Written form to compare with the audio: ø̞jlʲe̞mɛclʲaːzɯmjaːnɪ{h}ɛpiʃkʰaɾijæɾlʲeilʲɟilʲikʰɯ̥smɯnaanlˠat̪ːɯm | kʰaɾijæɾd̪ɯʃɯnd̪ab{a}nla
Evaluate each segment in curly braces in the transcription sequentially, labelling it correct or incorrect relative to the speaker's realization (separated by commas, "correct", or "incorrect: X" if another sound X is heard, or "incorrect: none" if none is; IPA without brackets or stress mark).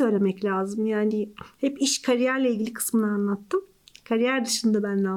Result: correct, incorrect: æ